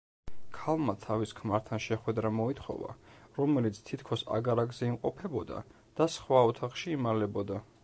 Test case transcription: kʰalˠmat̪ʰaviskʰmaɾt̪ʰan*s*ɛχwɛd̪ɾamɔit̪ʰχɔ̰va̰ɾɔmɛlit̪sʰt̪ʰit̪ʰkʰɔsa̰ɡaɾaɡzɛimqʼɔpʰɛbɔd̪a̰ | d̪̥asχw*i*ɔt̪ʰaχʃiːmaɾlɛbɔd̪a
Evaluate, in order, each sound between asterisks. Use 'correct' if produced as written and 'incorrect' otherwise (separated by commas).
incorrect, incorrect